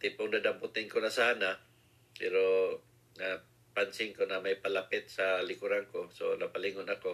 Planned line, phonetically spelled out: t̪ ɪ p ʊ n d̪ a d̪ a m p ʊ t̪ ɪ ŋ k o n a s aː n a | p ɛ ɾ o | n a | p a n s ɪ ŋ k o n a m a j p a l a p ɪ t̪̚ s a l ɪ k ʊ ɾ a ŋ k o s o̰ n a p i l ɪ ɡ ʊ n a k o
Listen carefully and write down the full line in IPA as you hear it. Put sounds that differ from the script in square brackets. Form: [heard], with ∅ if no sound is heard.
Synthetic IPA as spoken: t̪ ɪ p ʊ [ŋ] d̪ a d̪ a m p ʊ t̪ ɪ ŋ k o n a s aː n a | p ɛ ɾ o | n a | p a n s ɪ ŋ k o n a m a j p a l a p ɪ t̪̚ s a l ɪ k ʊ ɾ a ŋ k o s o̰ n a p [a] l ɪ [ŋ] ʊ n a k o